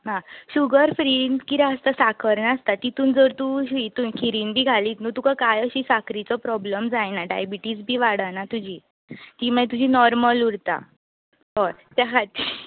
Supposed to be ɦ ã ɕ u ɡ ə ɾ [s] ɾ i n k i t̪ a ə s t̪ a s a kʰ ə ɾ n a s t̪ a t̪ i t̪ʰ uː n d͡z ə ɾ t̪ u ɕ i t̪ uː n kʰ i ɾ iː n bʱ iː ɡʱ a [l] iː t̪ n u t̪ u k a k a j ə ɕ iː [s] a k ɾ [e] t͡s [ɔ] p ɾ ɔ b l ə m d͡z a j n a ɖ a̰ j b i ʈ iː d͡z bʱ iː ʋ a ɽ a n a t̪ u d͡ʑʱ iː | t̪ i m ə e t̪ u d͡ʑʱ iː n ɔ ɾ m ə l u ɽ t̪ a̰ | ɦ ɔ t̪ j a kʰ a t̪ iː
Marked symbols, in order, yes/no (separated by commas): no, yes, yes, no, yes